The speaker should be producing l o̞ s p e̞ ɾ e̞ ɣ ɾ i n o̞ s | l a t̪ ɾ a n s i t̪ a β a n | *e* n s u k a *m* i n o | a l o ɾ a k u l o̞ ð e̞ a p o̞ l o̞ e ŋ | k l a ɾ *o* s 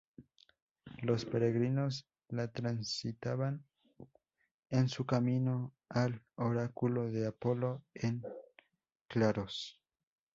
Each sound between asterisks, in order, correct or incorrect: correct, correct, correct

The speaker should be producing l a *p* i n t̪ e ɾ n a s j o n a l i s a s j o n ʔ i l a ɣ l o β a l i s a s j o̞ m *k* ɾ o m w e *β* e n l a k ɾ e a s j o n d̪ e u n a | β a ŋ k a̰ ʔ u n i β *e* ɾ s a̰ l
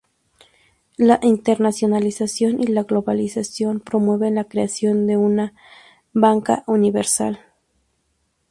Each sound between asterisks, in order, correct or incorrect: incorrect, incorrect, correct, correct

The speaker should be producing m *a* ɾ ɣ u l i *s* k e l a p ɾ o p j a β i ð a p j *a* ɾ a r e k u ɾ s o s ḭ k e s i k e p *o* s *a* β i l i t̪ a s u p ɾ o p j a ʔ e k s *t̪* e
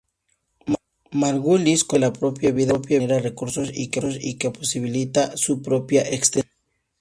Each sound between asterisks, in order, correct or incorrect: correct, correct, correct, correct, incorrect, correct

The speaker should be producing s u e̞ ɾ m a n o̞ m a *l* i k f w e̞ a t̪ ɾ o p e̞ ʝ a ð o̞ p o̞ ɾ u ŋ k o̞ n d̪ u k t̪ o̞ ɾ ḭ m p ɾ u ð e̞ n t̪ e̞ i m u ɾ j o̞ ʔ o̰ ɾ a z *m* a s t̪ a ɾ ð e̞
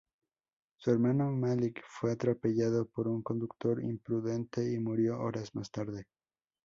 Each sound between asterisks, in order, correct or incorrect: correct, correct

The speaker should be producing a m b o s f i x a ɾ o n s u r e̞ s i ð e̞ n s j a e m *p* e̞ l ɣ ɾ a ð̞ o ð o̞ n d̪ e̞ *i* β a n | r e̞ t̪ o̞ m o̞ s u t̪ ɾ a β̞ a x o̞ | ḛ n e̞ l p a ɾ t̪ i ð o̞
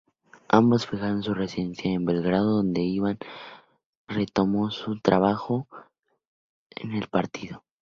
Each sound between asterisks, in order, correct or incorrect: incorrect, correct

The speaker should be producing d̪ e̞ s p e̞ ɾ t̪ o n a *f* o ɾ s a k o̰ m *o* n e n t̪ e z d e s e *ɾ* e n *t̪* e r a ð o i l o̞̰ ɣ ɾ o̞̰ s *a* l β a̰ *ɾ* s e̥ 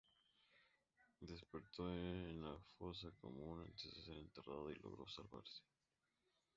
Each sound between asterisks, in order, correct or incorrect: correct, incorrect, correct, correct, correct, correct

